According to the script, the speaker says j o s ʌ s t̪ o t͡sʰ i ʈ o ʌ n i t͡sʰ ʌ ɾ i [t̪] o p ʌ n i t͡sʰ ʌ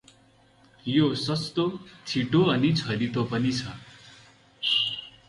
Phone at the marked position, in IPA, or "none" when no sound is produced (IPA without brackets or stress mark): t̪